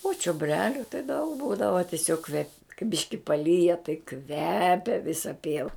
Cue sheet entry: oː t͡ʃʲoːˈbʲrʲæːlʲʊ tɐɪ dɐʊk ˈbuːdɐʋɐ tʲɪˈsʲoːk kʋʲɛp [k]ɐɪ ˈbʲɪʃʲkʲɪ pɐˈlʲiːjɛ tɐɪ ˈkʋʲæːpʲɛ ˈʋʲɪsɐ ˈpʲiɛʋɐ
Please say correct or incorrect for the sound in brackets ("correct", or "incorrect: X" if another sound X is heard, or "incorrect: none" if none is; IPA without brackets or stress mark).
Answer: correct